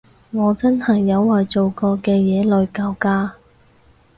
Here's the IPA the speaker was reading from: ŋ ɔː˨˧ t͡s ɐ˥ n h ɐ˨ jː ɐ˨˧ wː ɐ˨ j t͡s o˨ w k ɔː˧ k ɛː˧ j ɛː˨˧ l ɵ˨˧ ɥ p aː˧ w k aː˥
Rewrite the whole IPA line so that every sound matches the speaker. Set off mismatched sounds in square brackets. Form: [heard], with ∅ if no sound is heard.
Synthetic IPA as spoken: ŋ ɔː˨˧ t͡s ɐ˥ n h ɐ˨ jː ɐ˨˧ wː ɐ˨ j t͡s o˨ w k ɔː˧ k ɛː˧ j ɛː˨˧ l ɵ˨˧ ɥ [k] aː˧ w k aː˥